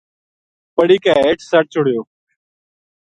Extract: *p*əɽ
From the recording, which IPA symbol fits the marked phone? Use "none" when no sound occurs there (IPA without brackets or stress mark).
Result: p